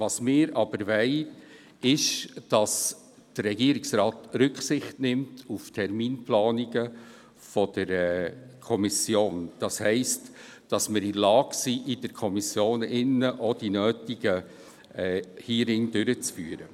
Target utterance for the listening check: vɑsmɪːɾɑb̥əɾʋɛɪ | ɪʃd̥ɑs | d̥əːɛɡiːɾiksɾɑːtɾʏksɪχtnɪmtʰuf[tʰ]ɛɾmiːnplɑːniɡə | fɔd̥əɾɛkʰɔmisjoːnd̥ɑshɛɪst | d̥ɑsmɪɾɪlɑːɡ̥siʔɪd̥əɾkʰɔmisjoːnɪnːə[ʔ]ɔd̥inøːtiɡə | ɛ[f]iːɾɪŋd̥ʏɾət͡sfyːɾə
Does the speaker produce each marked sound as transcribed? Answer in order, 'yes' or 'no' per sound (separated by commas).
yes, yes, no